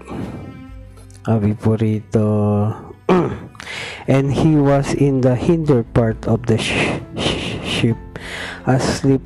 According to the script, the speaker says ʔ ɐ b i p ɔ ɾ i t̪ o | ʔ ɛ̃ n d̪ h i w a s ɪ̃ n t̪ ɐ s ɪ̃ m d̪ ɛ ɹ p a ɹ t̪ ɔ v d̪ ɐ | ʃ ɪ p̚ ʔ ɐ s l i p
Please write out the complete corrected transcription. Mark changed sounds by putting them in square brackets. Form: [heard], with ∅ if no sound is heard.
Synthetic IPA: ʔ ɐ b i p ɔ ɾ i t̪ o | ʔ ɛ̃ n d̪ h i w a s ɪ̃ n [d̪] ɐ [h] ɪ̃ [n] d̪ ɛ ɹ p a ɹ t̪ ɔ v d̪ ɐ | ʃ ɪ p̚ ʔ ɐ s l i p